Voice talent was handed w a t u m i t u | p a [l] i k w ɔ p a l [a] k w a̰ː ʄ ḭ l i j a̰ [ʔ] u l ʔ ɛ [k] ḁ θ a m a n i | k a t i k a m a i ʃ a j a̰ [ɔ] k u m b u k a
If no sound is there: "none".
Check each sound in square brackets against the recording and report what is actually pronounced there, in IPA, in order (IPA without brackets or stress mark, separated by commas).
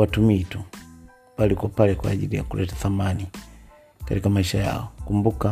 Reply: l, ɛ, k, t, ɔ